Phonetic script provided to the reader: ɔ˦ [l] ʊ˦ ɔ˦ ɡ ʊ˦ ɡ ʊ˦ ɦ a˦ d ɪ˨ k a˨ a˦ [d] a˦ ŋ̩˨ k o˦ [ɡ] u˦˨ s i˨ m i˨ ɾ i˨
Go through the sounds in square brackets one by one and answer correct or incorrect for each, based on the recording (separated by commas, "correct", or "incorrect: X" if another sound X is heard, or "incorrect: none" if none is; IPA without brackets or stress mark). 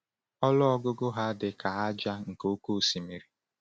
correct, incorrect: d͡ʒ, incorrect: k